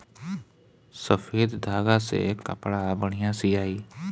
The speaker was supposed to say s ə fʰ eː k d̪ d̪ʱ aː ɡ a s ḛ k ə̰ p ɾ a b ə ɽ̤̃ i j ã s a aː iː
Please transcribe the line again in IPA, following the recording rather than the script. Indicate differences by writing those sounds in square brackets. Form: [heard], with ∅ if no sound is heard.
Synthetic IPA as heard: s ə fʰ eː [∅] d̪ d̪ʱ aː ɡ a s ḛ k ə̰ p [ɽ] a b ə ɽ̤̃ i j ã s [i] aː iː